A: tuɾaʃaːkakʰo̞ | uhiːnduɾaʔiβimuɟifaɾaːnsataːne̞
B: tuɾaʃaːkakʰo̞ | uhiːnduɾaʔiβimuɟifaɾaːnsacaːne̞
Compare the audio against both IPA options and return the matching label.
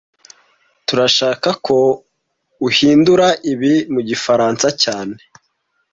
B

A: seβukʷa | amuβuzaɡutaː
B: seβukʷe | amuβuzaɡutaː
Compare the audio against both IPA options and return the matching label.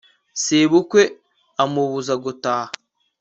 B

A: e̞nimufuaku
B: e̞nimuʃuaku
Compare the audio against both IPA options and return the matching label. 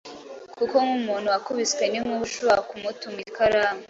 B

